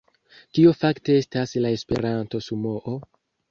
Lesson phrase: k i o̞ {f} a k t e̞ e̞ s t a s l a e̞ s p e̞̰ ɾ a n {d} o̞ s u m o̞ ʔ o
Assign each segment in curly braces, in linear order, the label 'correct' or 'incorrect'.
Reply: correct, incorrect

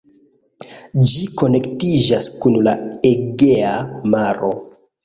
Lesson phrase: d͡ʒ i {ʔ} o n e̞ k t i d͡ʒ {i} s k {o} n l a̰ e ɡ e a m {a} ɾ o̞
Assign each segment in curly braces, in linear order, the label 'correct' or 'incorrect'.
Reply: incorrect, incorrect, incorrect, correct

